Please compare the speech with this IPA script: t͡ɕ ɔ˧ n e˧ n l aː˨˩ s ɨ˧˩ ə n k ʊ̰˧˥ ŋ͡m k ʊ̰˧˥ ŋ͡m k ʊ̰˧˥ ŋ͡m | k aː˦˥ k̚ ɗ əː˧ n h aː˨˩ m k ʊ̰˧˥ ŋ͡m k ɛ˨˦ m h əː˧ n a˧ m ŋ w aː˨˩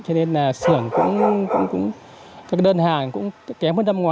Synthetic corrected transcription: t͡ɕ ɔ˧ n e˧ n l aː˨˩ s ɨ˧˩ ə ŋ k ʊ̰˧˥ ŋ͡m k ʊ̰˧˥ ŋ͡m k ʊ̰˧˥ ŋ͡m | k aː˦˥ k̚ ɗ əː˧ n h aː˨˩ ŋ k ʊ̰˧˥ ŋ͡m k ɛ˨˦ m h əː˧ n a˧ m ŋ w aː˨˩